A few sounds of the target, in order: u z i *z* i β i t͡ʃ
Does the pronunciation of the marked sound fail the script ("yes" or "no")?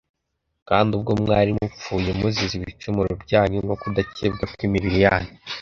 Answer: no